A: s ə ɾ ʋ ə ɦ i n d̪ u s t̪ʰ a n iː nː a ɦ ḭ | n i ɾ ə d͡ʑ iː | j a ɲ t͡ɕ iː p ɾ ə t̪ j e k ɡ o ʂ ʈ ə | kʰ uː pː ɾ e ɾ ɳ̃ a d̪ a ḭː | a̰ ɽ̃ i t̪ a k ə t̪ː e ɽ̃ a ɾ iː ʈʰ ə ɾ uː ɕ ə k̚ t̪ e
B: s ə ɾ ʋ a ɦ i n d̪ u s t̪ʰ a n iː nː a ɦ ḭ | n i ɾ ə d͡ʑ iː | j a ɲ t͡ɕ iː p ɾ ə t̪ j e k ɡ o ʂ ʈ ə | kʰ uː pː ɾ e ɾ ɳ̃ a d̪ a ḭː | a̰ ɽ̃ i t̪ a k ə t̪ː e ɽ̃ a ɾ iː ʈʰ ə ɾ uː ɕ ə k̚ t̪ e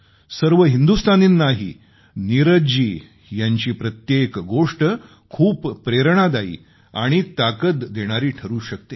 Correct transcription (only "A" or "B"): A